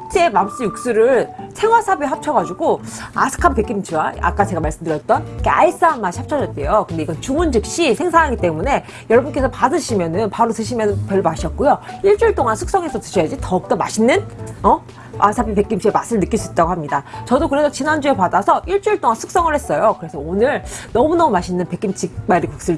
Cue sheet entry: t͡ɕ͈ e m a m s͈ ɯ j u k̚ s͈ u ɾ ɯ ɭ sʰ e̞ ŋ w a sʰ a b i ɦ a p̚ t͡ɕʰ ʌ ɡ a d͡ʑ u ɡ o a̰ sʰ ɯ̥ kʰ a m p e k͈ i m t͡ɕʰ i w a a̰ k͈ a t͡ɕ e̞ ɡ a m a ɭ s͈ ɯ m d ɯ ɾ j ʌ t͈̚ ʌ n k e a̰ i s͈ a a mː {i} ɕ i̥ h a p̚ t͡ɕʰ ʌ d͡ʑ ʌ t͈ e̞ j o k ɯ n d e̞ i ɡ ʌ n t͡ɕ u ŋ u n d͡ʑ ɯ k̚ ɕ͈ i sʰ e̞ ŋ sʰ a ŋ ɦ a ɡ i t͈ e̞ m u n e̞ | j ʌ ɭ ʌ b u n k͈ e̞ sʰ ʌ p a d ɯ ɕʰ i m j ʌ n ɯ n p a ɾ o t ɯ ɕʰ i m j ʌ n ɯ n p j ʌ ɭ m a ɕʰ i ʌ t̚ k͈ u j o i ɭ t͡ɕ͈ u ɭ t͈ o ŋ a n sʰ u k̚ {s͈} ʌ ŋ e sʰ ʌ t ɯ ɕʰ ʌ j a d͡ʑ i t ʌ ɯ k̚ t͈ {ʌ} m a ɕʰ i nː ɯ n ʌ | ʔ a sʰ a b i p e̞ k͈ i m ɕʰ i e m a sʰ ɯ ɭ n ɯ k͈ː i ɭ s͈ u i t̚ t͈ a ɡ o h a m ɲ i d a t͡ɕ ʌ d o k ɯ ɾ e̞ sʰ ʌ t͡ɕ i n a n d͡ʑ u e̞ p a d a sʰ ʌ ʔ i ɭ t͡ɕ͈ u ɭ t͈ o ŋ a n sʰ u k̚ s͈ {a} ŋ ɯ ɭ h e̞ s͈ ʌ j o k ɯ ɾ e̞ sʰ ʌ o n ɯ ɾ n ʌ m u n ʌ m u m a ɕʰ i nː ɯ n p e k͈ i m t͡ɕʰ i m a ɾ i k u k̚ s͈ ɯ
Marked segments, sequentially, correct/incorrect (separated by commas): incorrect, correct, correct, incorrect